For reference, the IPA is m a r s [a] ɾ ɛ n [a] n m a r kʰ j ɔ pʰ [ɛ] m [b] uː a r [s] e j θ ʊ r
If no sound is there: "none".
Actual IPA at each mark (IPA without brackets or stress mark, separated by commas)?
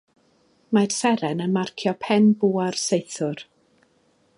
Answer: ɛ, ə, ɛ, b, s